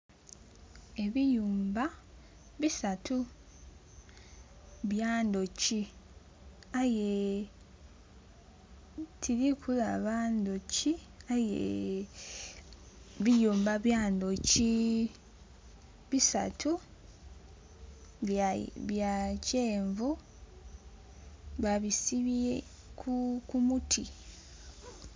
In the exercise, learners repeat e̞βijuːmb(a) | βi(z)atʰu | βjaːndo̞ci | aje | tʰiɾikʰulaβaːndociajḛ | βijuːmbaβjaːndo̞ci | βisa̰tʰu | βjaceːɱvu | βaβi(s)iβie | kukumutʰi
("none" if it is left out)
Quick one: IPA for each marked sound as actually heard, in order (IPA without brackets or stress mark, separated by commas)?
a, s, s